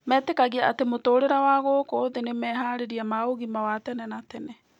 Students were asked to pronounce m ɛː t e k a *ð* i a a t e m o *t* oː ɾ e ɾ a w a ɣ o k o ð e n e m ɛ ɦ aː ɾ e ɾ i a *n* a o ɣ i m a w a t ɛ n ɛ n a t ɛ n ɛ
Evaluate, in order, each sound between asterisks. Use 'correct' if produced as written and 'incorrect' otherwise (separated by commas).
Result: incorrect, correct, incorrect